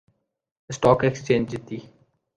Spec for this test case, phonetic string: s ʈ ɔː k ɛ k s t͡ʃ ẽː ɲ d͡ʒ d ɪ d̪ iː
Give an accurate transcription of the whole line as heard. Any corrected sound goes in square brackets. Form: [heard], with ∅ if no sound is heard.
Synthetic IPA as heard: s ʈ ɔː k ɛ k s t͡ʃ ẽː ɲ d͡ʒ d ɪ [t̪] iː

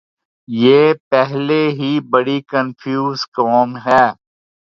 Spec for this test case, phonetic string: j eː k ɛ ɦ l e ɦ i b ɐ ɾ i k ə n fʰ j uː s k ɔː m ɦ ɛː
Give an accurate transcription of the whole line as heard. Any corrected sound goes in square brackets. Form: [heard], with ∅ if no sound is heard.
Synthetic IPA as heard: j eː [p] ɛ ɦ l e ɦ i b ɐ [ɽ] i k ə n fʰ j uː [z] k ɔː m ɦ ɛː

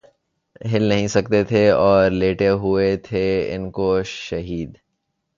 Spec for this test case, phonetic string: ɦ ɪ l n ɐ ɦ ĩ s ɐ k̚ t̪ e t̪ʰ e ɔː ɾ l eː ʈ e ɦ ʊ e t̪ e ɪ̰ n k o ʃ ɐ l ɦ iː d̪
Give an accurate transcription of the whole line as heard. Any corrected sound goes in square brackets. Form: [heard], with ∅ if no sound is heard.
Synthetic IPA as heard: ɦ ɪ l n ɐ ɦ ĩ s ɐ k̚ t̪ e t̪ʰ e ɔː ɾ l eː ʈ e ɦ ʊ e [t̪ʰ] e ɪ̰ n k o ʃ ɐ [∅] ɦ iː d̪

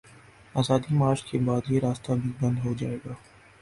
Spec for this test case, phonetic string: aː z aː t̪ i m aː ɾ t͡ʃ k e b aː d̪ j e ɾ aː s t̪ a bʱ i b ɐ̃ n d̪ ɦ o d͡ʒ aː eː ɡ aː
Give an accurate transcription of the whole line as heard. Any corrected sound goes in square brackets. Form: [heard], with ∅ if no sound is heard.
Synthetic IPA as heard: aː z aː [d̪] i m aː ɾ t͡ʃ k e b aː d̪ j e ɾ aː s t̪ a bʱ i b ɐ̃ n d̪ ɦ o d͡ʒ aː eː ɡ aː

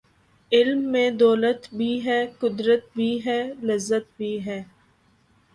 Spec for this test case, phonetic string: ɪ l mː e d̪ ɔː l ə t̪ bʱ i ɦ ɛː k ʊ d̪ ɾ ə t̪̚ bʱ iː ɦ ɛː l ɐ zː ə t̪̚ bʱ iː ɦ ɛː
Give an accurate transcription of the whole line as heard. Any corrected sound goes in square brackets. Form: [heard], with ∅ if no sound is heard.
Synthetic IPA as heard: ɪ l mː [ẽ] d̪ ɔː l ə t̪ bʱ i ɦ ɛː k ʊ d̪ ɾ ə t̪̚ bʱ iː ɦ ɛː l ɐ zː ə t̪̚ bʱ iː ɦ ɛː

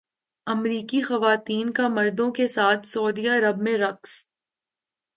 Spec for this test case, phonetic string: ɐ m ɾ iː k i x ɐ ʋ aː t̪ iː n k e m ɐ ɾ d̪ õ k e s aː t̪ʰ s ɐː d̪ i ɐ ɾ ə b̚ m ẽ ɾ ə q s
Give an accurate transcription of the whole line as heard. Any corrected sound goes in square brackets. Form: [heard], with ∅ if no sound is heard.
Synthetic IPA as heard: ɐ m ɾ iː k i x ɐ ʋ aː t̪ iː n k [a] m ɐ ɾ d̪ õ k e s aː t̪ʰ s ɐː d̪ i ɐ ɾ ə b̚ m ẽ ɾ [ɐ] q s

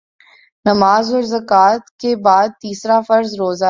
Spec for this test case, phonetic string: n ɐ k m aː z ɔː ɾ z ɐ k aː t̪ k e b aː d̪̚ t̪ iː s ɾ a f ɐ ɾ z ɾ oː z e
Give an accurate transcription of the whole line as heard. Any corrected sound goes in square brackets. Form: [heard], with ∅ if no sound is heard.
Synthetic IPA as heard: n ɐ [∅] m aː z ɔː ɾ z ɐ k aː t̪ k e b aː d̪̚ t̪ iː s ɾ a f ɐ ɾ z ɾ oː z [a]

